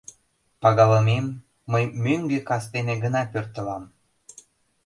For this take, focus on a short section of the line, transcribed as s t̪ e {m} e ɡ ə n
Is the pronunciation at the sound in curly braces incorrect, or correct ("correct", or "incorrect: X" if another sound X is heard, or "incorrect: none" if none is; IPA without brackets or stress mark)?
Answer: incorrect: n